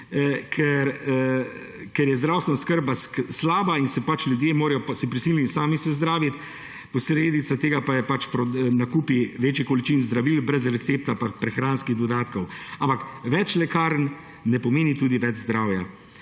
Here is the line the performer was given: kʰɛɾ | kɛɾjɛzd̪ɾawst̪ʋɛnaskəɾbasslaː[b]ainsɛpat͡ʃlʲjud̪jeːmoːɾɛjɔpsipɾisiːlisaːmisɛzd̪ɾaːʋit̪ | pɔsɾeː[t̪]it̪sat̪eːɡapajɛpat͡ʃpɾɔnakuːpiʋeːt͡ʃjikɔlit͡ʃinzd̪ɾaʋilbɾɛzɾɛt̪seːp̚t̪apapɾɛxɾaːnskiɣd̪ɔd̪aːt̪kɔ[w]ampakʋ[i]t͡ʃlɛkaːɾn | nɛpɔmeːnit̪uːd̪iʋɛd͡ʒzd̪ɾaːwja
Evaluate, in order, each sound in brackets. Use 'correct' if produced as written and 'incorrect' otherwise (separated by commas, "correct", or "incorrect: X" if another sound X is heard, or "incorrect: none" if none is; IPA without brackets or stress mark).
correct, incorrect: d̪, correct, incorrect: ɛ